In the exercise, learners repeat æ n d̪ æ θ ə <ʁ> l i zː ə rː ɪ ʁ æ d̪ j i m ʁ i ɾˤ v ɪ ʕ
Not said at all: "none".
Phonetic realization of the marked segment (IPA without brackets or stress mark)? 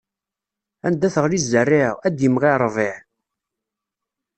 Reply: ʁ